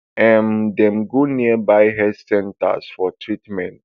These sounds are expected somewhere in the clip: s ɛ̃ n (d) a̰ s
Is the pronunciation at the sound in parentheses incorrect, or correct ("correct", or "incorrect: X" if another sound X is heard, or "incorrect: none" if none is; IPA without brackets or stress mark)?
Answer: incorrect: t